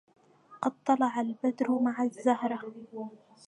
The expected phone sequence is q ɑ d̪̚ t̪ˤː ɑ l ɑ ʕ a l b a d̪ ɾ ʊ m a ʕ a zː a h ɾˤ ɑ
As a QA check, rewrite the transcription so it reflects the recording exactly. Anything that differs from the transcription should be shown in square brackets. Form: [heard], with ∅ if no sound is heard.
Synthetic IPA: q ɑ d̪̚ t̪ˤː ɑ l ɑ ʕ a l b a d̪ ɾ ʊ m a ʕ a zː a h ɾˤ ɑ